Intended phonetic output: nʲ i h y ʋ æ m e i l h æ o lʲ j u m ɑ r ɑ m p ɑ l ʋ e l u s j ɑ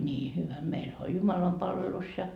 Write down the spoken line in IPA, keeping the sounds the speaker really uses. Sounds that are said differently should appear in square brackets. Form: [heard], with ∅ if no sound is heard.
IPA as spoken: nʲ [iː] h y ʋ æ m e i l h æ o lʲ j u m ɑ [l] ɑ m p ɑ l ʋ e l u s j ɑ